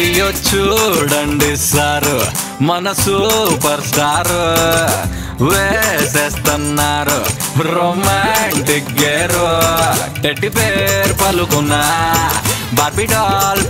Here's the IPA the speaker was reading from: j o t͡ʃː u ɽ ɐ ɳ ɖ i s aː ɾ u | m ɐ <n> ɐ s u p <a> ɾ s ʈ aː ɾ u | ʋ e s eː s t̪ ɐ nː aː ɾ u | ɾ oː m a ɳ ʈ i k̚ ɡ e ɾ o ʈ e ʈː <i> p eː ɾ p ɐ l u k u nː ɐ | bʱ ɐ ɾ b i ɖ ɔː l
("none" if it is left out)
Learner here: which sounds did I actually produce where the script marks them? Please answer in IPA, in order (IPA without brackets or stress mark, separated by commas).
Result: n, ɐ, i